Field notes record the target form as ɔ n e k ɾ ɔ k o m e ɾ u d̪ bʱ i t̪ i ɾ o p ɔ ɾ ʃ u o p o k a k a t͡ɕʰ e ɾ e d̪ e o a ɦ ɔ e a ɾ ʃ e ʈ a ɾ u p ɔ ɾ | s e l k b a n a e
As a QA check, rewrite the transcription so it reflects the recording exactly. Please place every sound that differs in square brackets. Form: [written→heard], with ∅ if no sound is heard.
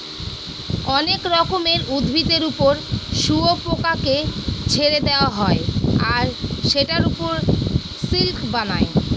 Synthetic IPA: ɔ n e k ɾ ɔ k o m e ɾ u d̪ bʱ i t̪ [i→e] ɾ [o→u] p [ɔ→o] ɾ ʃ u o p o k a k [a→e] t͡ɕʰ e ɾ e d̪ e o a ɦ ɔ e a ɾ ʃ e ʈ a ɾ u p [ɔ→o] ɾ | s [e→i] l k b a n a e

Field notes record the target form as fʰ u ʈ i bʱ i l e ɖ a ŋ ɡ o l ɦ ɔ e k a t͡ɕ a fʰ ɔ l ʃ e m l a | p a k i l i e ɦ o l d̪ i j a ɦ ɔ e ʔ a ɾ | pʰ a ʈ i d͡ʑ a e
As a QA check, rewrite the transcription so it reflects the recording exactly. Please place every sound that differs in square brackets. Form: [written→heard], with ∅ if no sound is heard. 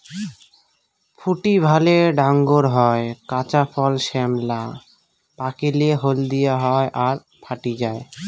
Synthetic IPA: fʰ u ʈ i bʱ [i→a] l e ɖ a ŋ ɡ o [l→ɾ] ɦ ɔ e k a t͡ɕ a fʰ ɔ l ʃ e m l a | p a k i l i e ɦ o l d̪ i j a ɦ ɔ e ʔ a ɾ | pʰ a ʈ i d͡ʑ a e

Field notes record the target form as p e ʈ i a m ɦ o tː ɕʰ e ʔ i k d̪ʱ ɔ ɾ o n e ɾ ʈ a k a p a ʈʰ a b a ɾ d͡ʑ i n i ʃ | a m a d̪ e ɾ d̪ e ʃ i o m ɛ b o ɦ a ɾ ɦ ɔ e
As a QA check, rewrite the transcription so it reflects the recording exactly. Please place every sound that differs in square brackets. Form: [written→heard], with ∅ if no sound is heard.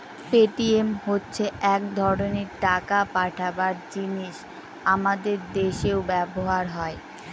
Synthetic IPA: p e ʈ i [a→e] m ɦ o tː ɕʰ e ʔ [i→ɛ] k d̪ʱ ɔ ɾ o n e ɾ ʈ a k a p a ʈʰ a b a ɾ d͡ʑ i n i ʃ | a m a d̪ e ɾ d̪ e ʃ [i→e] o [m→b] ɛ b o ɦ a ɾ ɦ ɔ e

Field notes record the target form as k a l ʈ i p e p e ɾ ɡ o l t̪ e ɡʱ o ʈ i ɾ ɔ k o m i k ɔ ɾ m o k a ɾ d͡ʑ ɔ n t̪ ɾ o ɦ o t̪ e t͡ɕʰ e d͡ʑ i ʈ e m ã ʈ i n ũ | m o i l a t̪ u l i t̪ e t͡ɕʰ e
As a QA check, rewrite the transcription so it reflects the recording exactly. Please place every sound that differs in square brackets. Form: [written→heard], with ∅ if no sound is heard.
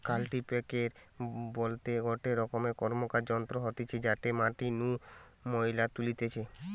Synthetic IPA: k a l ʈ i p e [p→k] e ɾ [ɡ→b] o l t̪ e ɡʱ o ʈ [i→e] ɾ ɔ k o m [i→e] k ɔ ɾ m o k a ɾ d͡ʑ ɔ n t̪ ɾ o ɦ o t̪ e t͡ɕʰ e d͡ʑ [i→a] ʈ e m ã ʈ i n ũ | m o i l a t̪ u l i t̪ e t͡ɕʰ e

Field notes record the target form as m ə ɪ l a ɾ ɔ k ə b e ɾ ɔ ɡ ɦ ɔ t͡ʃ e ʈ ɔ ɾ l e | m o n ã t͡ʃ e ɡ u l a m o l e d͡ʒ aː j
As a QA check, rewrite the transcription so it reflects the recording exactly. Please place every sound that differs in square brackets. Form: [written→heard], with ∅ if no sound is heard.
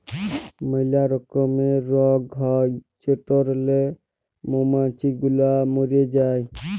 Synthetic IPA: m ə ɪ l a ɾ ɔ k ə [b→m] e ɾ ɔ ɡ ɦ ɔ t͡ʃ e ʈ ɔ ɾ l e | m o [n→m] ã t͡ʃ [e→i] ɡ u l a m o [l→ɾ] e d͡ʒ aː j

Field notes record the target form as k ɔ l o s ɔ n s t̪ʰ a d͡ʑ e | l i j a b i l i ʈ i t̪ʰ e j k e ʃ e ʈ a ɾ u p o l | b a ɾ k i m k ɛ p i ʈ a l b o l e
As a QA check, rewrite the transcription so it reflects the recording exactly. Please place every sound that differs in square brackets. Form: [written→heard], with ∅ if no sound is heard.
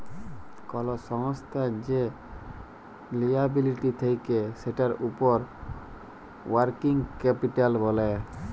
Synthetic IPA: k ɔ l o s ɔ [n→ŋ] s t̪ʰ a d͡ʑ e | l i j a b i l i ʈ i t̪ʰ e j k e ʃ e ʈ a ɾ u p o [l→ɾ] | [b→w] a ɾ k i [m→ŋ] k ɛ p i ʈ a l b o l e

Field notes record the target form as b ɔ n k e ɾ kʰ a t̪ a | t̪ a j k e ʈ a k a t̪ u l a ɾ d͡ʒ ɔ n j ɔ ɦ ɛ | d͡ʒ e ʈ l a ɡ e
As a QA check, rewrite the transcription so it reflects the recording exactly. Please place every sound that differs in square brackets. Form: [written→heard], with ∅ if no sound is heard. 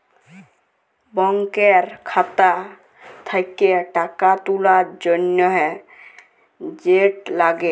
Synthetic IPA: b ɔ [n→ŋ] k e ɾ kʰ a t̪ a | [t̪→t̪ʰ] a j k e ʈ a k a t̪ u l a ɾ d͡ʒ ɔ n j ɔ ɦ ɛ | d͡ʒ e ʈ l a ɡ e

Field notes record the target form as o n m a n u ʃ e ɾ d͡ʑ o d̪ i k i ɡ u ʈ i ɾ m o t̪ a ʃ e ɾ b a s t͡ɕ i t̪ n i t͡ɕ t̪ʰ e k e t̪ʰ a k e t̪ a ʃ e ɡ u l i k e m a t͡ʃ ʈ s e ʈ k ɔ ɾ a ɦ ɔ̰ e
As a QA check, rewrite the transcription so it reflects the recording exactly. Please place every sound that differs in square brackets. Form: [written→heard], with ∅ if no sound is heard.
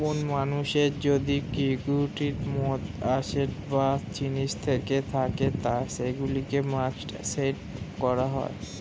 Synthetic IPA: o n m a n u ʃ e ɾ d͡ʑ o d̪ i k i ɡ u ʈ i ɾ m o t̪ a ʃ e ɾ b a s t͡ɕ i [t̪→∅] n i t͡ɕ t̪ʰ e k e t̪ʰ a k e t̪ a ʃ e ɡ u l i k e m a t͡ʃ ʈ s e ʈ k ɔ ɾ a ɦ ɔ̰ e

